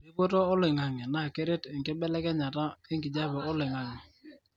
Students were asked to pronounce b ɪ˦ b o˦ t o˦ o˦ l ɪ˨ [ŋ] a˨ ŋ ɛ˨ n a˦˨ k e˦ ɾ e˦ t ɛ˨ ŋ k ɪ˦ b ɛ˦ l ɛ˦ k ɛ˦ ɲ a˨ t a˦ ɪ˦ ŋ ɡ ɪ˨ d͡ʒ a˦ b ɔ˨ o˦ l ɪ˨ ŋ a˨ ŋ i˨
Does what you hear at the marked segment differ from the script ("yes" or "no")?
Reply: no